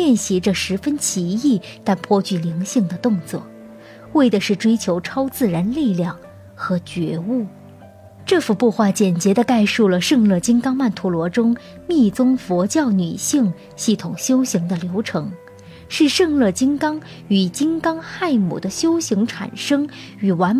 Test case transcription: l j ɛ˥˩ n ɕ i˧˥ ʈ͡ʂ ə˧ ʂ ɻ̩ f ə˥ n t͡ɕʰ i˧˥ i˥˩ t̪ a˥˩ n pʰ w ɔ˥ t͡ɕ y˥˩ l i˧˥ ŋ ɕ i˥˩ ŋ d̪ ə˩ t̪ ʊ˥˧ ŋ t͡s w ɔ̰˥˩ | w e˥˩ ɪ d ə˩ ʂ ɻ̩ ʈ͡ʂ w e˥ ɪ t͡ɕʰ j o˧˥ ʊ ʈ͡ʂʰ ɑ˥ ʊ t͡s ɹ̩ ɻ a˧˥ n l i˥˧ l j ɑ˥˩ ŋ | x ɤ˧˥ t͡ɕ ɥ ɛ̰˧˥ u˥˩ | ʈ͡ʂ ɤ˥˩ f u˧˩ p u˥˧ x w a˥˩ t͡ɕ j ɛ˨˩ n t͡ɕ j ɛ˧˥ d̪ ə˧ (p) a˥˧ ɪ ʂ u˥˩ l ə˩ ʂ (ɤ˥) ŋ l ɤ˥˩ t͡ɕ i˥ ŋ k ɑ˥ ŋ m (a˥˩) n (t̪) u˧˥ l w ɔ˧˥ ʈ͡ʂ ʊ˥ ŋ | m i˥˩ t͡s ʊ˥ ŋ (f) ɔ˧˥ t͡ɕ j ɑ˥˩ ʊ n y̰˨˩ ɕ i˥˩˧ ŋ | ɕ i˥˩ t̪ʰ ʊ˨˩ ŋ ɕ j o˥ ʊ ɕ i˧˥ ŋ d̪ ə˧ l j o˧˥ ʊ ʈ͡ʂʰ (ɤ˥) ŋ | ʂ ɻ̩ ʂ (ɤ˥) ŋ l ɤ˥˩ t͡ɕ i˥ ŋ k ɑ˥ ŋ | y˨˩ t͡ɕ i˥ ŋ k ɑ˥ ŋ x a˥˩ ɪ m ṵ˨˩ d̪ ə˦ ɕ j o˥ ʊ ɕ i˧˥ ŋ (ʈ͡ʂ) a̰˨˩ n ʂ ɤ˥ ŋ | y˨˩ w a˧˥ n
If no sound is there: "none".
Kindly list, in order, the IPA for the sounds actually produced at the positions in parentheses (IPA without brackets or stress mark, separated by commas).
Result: k, ɤ˥˧, a˥˩, t̪ʰ, f, ɤ˧˥, ɤ˥˧, ʈ͡ʂʰ